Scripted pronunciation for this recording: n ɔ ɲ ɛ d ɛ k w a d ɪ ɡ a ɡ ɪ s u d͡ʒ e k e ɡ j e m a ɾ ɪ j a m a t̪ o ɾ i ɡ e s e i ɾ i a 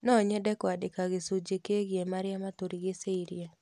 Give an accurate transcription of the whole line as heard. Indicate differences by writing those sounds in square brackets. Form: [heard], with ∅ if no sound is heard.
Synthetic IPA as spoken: n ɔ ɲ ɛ d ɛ k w a d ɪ [k] a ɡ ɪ s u d͡ʒ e k e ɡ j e m a ɾ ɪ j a m a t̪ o ɾ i ɡ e s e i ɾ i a